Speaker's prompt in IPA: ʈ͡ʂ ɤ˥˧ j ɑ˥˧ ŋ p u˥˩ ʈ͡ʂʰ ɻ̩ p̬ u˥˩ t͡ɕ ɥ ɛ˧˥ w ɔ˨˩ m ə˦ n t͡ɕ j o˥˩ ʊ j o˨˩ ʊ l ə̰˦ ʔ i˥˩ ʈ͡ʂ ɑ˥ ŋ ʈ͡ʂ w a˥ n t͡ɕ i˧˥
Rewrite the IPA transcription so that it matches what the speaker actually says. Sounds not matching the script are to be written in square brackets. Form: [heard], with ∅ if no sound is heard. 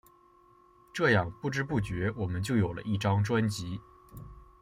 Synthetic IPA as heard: ʈ͡ʂ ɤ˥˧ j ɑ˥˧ ŋ p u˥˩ [ʈ͡ʂ] ɻ̩ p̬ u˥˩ t͡ɕ ɥ ɛ˧˥ w ɔ˨˩ m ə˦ n t͡ɕ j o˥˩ ʊ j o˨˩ ʊ l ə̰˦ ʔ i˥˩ ʈ͡ʂ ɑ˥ ŋ ʈ͡ʂ w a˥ n t͡ɕ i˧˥